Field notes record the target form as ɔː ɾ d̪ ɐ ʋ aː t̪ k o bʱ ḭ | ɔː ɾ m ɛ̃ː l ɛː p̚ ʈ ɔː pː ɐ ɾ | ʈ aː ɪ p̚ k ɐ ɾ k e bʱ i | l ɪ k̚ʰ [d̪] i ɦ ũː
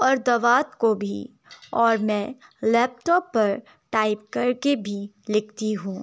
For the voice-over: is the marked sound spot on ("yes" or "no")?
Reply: no